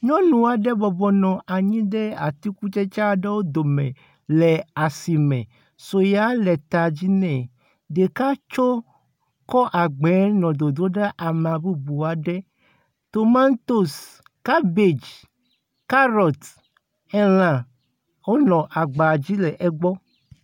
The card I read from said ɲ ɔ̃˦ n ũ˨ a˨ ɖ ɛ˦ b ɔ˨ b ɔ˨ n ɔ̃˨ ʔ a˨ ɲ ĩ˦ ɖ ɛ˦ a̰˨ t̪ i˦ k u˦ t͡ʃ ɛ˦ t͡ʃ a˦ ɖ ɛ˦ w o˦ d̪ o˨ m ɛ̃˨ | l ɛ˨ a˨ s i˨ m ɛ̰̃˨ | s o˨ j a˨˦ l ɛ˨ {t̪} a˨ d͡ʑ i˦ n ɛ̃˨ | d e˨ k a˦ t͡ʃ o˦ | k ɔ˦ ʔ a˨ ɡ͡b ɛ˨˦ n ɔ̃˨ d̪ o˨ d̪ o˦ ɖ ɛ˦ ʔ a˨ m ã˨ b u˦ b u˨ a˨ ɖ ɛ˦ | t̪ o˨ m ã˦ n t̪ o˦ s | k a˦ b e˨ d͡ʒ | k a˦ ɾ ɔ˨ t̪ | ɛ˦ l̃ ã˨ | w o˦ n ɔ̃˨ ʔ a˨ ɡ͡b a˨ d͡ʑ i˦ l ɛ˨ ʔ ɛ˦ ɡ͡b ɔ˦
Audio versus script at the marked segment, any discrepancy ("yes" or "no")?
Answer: no